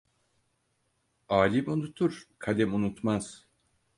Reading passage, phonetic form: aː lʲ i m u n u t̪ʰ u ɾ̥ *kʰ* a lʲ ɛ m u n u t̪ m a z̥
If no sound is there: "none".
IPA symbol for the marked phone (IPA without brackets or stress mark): kʰ